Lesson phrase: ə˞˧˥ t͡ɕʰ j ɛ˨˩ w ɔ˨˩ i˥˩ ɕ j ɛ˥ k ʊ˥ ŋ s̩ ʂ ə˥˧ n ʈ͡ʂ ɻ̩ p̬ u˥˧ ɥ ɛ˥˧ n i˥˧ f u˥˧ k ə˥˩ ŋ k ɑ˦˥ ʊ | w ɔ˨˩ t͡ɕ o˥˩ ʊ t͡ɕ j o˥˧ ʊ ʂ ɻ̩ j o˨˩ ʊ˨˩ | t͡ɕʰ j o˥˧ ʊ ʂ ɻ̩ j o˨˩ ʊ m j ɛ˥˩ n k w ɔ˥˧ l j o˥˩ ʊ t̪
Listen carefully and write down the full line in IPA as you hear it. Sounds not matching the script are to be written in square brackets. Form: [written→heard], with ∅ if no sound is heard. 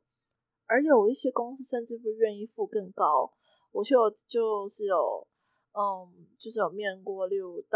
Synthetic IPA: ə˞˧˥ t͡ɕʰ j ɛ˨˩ w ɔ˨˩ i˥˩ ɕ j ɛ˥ k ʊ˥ ŋ s̩ ʂ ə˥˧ n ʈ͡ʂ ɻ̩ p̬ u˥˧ ɥ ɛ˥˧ n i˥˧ f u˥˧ k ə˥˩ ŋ k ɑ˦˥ ʊ | w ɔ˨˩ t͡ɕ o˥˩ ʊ t͡ɕ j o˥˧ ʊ ʂ ɻ̩ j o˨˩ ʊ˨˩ | [t͡ɕʰ→t͡ɕ] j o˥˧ ʊ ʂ ɻ̩ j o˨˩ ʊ m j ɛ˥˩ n k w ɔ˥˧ l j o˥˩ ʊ t̪